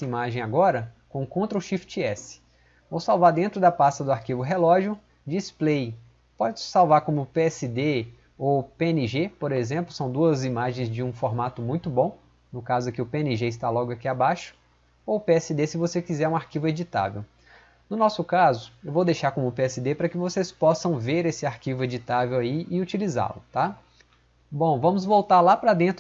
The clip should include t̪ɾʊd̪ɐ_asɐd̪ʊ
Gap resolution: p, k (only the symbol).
p